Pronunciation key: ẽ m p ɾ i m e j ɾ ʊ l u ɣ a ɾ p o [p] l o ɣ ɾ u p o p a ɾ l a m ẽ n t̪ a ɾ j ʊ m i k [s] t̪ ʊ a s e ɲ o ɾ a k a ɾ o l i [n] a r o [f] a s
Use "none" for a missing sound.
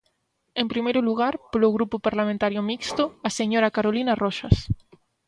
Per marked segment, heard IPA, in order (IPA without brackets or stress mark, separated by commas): none, s, n, ʃ